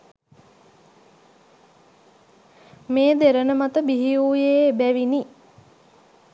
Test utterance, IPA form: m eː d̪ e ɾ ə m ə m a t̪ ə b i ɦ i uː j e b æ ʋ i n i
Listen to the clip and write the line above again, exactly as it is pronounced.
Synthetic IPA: m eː d̪ e ɾ ə n ə m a t̪ ə b i ɦ i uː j e b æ ʋ i n i

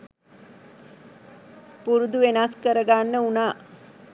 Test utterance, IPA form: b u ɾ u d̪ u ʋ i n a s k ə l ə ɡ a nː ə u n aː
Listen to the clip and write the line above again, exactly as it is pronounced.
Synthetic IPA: p u ɾ u d̪ u ʋ e n a s k ə ɾ ə ɡ a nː ə u n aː

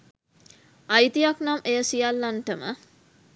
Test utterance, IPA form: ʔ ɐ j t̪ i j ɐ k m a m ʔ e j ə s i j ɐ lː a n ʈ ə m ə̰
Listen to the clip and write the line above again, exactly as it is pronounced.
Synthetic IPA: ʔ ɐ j t̪ i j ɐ k n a m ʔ e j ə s i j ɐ lː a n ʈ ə m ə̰

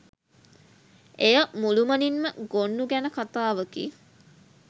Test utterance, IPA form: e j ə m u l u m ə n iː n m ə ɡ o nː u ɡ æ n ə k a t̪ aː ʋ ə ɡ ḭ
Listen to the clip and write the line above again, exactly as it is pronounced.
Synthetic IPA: e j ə m u l u m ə n i n m ə ɡ o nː u ɡ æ n ə k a t̪ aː ʋ ə k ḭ

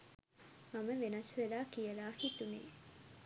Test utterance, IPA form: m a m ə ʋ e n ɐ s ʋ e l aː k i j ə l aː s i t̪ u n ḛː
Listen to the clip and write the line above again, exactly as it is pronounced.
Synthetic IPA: m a m ə ʋ e n ɐ s ʋ e l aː k i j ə l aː h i t̪ u n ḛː

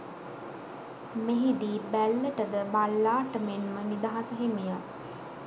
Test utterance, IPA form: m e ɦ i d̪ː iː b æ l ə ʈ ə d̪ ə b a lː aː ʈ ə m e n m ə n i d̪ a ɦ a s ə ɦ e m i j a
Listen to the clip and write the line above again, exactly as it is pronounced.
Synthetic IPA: m e ɦ i d̪ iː b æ lː ə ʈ ə d̪ ə b a lː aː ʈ ə m e n m ə n i d̪ a ɦ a s ə ɦ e m i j a

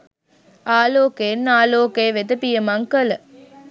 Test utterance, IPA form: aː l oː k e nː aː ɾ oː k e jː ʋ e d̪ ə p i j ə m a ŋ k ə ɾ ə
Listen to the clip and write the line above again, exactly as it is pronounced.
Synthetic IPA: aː l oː k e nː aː l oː k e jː ʋ e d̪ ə p i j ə m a ŋ k ə l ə

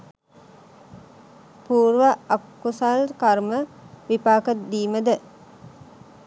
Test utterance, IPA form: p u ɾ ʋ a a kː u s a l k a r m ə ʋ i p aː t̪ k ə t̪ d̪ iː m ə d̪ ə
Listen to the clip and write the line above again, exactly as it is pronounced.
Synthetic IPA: p uː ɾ ʋ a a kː u s a l k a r m ə ʋ i p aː k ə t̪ d̪ iː m ə d̪ ə

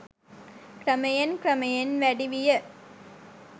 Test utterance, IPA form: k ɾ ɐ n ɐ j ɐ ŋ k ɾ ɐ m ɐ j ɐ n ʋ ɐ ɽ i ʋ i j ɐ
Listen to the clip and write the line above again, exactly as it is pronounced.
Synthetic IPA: k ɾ ɐ m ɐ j ɐ n k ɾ ɐ m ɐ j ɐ n ʋ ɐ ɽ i ʋ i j ɐ

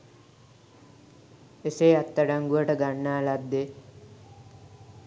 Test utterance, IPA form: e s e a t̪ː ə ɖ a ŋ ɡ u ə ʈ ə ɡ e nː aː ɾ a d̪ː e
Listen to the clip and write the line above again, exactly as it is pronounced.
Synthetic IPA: e s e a t̪ː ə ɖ a ŋ ɡ u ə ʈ ə ɡ a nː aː l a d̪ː e

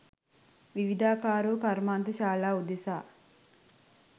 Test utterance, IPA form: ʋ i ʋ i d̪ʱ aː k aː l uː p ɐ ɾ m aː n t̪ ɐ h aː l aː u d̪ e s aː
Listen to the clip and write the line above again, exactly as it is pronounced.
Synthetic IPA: ʋ i ʋ i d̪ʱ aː k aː ɾ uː k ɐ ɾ m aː n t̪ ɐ ʃ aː l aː u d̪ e s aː

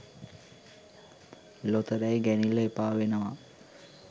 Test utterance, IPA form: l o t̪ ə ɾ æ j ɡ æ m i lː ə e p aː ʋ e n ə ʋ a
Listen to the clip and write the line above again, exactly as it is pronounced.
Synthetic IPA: l o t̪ ə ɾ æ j ɡ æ n i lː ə e p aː ʋ e n ə ʋ a

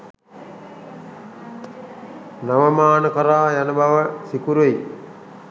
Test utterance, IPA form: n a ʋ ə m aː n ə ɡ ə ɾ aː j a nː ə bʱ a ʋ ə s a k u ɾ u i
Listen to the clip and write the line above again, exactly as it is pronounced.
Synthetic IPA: n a ʋ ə m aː n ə k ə ɾ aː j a n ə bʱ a ʋ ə s i k u ɾ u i

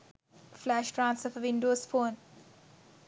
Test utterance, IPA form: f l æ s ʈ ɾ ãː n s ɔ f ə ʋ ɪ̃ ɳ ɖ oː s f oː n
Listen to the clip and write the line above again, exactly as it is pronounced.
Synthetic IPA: f l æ ʃ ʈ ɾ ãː n s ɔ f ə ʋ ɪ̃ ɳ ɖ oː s f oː n

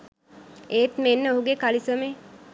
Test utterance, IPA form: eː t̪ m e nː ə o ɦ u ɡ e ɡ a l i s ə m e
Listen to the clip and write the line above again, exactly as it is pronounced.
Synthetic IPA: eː t̪ m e nː ə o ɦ u ɡ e k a l i s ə m e

